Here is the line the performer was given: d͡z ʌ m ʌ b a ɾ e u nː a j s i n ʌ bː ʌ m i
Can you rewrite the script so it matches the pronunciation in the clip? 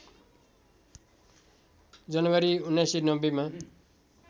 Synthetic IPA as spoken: d͡z ʌ n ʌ w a ɾ i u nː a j s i n ʌ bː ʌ m a

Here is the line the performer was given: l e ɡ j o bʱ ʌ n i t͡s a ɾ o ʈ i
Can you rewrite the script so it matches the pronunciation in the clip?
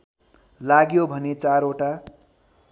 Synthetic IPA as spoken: l a ɡ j o bʱ ʌ n e t͡s a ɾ o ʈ a

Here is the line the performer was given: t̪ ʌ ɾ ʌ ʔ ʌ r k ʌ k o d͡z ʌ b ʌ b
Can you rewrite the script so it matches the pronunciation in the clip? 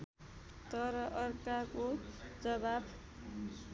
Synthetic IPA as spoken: t̪ ʌ ɾ ʌ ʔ ʌ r k a k o d͡z ʌ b a b

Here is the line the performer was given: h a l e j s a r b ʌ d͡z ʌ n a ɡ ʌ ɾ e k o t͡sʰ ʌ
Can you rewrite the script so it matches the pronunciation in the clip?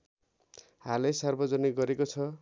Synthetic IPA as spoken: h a l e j s a r b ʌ d͡z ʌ n i ɡ ʌ ɾ e k o t͡sʰ ʌ

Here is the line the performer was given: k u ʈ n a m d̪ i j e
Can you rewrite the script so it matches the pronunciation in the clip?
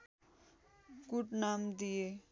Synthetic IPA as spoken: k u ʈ n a m d̪ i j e

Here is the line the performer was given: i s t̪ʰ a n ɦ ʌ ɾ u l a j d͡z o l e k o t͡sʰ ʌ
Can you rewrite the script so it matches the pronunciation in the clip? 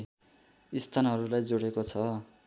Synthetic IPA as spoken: i s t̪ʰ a n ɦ ʌ ɾ u l a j d͡z o ɽ e k o t͡sʰ ʌ

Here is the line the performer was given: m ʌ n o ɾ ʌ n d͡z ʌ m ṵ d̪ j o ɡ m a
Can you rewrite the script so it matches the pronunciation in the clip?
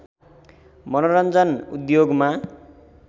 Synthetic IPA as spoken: m ʌ n o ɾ ʌ n d͡z ʌ n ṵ d̪ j o ɡ m a

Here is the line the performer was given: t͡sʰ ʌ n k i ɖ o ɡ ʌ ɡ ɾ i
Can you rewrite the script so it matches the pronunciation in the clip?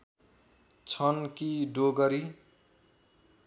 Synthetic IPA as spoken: t͡sʰ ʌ n k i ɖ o ɡ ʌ ɾ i

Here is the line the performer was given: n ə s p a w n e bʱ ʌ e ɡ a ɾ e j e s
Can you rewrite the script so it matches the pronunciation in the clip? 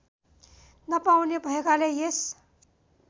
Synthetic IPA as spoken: n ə p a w n e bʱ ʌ e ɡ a l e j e s

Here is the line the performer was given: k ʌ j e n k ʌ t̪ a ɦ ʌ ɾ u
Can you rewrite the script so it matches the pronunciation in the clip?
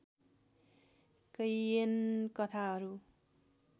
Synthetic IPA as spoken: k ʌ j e n k ʌ t̪ʰ a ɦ ʌ ɾ u

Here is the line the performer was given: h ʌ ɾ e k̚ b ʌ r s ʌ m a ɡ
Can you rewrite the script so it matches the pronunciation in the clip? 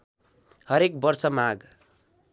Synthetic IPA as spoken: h ʌ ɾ e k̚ b ʌ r s ʌ m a ɡ

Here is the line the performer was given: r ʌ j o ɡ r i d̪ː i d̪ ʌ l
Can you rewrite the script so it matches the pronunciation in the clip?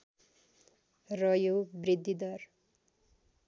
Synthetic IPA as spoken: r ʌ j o b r i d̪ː i d̪ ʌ r

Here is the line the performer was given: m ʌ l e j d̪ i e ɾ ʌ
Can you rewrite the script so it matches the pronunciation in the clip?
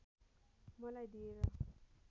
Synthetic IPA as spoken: m ʌ l a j d̪ i e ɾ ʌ

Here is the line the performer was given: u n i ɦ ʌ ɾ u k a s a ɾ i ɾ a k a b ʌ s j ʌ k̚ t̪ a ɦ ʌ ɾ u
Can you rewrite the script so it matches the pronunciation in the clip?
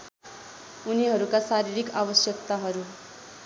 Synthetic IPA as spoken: u n i ɦ ʌ ɾ u k a s a ɾ i ɾ i k a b ʌ s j ʌ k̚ t̪ a ɦ ʌ ɾ u

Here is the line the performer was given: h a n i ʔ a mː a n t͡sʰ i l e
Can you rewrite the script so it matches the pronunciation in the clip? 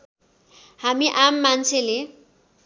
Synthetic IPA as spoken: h a m i ʔ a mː a n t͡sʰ e l e

